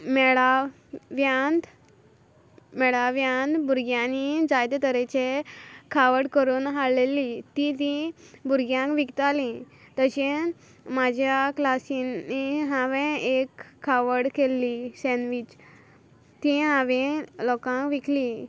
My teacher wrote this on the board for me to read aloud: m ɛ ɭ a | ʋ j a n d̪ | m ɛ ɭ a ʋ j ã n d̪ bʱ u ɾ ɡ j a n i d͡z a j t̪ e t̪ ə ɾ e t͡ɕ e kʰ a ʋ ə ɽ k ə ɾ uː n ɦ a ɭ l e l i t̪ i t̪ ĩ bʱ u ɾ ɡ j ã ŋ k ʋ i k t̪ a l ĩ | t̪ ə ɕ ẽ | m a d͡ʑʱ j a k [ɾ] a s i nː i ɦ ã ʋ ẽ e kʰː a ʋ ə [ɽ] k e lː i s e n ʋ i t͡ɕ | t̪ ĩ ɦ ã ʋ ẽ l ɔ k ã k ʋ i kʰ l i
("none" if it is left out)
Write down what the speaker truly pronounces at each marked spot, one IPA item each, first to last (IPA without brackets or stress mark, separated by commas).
l, ɽ